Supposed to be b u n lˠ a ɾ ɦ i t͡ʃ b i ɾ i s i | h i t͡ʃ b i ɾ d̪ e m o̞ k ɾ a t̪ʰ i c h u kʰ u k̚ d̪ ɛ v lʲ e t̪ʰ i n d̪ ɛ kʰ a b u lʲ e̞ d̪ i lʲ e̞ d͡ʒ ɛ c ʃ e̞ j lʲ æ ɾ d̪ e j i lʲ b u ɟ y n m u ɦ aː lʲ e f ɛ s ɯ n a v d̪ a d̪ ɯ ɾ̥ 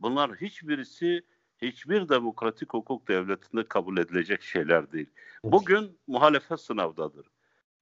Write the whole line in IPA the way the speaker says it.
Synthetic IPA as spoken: b u n lˠ a ɾ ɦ i t͡ʃ b i ɾ i s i | h i t͡ʃ b i ɾ d̪ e m o̞ k ɾ a t̪ʰ i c h u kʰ u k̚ d̪ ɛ v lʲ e t̪ʰ i n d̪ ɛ kʰ a b u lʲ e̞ d̪ i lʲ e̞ d͡ʒ ɛ c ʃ e̞ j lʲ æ ɾ d̪ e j i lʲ b u ɟ y n m u ɦ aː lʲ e f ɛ s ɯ n a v d̪ a d̪ ɯ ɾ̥